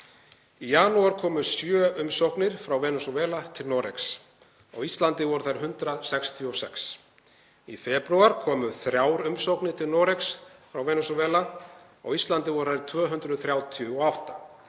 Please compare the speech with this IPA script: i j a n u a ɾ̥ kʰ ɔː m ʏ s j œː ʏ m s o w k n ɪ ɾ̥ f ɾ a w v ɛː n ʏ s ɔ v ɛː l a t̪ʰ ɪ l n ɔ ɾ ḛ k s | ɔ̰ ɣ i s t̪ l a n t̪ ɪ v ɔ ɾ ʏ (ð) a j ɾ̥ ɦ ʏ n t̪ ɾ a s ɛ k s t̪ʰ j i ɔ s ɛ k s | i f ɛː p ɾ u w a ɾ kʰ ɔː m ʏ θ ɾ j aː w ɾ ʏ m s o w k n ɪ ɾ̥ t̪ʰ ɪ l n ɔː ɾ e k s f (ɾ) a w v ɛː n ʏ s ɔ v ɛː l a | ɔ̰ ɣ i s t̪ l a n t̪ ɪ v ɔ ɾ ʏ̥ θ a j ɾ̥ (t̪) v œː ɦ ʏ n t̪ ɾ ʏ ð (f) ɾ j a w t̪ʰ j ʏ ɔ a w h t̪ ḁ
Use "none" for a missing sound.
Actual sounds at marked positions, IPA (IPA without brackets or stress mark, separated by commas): θ, ɾ, t̪ʰ, θ